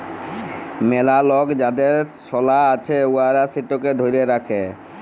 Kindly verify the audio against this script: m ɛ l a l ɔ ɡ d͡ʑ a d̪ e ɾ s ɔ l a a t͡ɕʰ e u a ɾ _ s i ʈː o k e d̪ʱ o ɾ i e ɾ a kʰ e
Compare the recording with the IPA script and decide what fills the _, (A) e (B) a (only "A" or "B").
B